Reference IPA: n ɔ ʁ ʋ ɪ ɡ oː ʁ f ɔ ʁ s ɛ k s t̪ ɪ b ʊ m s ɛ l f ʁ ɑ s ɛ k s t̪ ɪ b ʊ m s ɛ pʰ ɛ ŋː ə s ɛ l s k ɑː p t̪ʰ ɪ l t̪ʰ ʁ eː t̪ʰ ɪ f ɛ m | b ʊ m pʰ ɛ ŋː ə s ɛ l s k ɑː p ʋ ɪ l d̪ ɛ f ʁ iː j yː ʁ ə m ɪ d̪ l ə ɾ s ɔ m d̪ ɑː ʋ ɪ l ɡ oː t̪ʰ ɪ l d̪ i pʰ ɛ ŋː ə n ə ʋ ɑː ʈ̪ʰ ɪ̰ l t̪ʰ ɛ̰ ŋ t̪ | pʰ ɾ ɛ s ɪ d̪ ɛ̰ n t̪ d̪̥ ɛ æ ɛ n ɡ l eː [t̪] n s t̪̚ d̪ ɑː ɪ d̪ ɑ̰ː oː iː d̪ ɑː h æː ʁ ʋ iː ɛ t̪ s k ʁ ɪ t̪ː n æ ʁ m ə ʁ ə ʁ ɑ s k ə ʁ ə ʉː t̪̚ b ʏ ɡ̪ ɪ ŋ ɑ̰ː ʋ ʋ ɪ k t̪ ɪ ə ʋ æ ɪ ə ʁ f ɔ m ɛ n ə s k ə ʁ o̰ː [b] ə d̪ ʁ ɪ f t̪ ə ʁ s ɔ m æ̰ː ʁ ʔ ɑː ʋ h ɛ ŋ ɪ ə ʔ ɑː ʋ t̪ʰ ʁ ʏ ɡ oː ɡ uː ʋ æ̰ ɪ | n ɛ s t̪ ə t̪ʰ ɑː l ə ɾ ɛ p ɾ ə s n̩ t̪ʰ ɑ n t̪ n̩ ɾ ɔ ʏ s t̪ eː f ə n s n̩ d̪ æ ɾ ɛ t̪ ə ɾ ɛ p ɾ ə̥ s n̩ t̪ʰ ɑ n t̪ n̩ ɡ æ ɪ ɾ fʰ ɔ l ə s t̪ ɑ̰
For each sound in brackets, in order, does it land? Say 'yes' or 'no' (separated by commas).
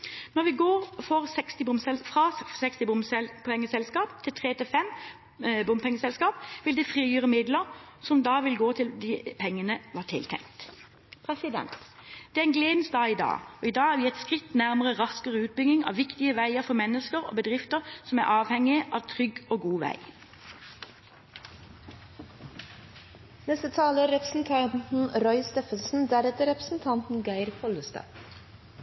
no, yes